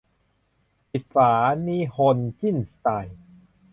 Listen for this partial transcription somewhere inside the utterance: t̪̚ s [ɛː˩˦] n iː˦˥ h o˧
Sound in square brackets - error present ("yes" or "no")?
yes